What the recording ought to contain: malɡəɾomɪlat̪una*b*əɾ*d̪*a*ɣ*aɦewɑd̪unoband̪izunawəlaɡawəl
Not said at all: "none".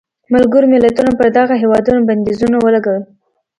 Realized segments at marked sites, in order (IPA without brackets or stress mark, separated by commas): p, d̪, ɣ